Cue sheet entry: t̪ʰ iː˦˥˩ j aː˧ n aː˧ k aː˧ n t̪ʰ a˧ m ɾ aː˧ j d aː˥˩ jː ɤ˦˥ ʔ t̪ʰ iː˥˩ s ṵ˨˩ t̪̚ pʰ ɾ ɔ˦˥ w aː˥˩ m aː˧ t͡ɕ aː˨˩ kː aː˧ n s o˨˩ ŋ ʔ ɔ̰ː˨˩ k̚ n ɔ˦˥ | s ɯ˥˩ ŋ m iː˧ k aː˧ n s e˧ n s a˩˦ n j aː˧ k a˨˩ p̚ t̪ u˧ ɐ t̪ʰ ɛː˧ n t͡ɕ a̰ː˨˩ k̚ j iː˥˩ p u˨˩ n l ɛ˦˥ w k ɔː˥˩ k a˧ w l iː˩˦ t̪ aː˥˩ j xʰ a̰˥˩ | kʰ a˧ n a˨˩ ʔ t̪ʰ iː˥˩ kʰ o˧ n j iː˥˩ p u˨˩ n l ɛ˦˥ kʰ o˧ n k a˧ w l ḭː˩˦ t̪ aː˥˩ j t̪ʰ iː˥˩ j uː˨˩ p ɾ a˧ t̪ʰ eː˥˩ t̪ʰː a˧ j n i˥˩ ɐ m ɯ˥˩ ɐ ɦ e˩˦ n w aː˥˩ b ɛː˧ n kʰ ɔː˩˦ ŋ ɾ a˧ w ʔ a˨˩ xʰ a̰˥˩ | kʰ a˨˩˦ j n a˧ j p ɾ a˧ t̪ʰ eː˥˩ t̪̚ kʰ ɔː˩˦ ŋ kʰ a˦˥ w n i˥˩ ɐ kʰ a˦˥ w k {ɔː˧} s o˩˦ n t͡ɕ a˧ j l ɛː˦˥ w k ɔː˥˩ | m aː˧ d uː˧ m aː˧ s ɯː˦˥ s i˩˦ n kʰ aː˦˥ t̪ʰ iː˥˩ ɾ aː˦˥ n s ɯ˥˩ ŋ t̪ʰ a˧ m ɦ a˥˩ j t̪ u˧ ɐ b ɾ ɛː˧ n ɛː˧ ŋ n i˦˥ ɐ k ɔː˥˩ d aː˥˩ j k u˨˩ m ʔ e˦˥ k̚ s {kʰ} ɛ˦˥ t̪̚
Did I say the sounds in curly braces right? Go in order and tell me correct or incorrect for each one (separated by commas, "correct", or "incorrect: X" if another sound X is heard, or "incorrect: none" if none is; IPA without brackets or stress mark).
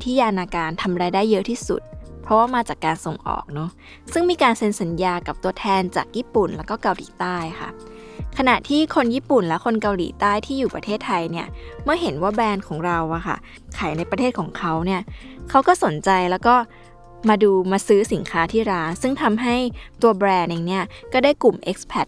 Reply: incorrect: ɔː˥˩, incorrect: pʰ